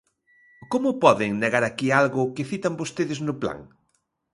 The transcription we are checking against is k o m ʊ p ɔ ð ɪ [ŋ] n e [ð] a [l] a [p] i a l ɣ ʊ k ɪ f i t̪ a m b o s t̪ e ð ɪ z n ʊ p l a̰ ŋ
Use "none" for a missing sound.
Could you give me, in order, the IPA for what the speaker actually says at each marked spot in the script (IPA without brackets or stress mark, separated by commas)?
ŋ, ɣ, ɾ, k